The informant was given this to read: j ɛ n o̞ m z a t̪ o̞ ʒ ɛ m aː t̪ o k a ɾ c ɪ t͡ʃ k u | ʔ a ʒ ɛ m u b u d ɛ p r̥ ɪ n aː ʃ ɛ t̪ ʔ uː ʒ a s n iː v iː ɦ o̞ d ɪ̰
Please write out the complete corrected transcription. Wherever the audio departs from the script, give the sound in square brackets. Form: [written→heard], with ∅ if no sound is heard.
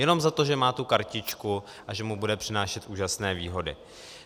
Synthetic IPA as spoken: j ɛ n o̞ m z a t̪ o̞ ʒ ɛ m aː t̪ [o→u] k a ɾ c ɪ t͡ʃ k u | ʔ a ʒ ɛ m u b u d ɛ p r̥ ɪ n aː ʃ ɛ t̪ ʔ uː ʒ a s n [iː→ɛː] v iː ɦ o̞ d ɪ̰